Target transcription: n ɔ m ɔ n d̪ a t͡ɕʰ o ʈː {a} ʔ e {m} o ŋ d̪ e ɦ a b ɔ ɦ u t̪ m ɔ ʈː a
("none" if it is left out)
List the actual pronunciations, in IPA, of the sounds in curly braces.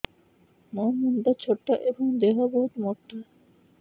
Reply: a, b

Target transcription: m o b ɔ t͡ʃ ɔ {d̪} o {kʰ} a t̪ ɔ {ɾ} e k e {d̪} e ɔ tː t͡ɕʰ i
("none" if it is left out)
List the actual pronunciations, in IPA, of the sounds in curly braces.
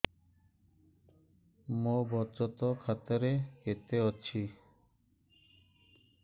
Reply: t̪, kʰ, ɾ, t̪

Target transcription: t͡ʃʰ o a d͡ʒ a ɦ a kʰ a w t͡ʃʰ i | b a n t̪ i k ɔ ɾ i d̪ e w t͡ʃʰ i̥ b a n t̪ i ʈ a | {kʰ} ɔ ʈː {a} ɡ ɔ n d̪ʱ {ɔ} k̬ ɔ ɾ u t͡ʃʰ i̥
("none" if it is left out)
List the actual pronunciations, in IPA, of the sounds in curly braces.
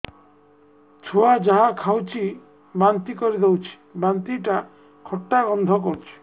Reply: kʰ, a, ɔ

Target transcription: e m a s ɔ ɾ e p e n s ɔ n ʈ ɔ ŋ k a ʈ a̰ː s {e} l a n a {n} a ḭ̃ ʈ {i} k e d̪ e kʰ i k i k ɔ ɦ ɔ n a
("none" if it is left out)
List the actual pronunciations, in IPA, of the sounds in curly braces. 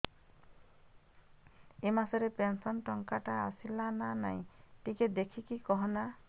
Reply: i, n, i

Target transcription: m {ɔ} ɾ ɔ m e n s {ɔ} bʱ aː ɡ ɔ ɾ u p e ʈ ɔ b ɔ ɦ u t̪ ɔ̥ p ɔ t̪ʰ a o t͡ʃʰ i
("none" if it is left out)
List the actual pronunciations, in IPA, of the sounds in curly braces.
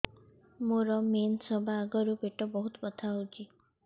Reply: o, ɔ

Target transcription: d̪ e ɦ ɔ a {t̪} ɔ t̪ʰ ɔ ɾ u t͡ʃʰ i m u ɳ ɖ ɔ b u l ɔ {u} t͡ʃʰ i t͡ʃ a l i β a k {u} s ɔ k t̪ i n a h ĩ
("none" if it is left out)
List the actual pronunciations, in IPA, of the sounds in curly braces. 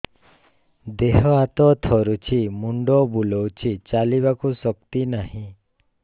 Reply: t̪, w, u

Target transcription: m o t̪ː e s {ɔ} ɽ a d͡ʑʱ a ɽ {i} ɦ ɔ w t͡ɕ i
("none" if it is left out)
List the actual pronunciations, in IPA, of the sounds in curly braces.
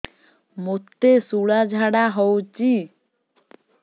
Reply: u, a

